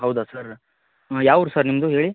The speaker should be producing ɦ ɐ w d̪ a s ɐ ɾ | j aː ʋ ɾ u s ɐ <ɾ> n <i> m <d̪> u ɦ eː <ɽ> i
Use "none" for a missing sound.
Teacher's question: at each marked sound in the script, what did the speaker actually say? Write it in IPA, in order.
ɾ, i, d̪, ɭ

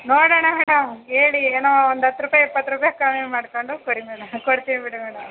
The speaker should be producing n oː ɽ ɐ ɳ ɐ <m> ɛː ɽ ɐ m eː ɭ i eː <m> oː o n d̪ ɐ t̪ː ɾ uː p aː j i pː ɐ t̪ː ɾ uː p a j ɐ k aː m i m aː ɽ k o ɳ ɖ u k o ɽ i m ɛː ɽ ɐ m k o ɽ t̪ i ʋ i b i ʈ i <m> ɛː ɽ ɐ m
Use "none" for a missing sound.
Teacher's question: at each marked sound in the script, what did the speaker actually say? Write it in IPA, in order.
m, n, m

